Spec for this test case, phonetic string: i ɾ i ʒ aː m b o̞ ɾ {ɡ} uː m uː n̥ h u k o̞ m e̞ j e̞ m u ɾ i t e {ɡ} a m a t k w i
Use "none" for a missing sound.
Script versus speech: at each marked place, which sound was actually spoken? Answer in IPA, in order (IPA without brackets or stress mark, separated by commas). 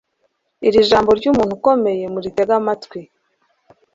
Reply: ɟ, ɡ